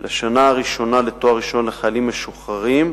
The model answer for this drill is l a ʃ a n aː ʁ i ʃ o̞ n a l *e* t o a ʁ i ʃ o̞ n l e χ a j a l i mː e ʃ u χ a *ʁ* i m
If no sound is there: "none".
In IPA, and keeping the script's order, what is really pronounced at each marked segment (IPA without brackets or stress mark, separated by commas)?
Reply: e, ʁ